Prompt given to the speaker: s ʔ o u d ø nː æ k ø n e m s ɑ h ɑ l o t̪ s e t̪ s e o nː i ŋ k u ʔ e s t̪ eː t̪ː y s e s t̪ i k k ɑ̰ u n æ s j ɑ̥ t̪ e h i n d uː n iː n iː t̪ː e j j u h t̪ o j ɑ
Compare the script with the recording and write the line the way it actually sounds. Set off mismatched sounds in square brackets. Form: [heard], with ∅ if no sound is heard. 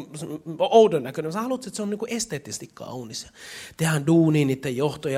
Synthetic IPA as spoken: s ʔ o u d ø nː æ k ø n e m s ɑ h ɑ l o t̪ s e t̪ s e o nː i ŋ k u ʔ e s t̪ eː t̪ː [i] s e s t̪ i k k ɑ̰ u n [i] s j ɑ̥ t̪ e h [æ] n d uː n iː n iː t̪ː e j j [o] h t̪ o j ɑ